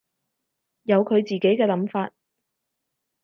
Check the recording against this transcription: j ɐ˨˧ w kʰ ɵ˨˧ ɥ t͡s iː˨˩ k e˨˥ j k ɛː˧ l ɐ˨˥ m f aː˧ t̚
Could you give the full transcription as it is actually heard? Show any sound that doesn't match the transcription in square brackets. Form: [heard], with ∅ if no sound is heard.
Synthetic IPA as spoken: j ɐ˨˧ w kʰ ɵ˨˧ ɥ t͡s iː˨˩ k e˨˥ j k ɛː˧ l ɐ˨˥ m f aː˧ t̚